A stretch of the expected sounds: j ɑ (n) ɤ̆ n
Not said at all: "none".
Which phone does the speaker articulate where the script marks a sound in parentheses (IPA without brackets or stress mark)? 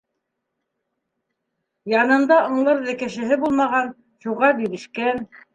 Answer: n